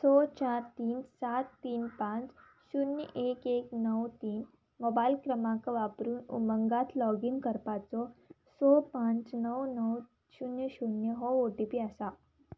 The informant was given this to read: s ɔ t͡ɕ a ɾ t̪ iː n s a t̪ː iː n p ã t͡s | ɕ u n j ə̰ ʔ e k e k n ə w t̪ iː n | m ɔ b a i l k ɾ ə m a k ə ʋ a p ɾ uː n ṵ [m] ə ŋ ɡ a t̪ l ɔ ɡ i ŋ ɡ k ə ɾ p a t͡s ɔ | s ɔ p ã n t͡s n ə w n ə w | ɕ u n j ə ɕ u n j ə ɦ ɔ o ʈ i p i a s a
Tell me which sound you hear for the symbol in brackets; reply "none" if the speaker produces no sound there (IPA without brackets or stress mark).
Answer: m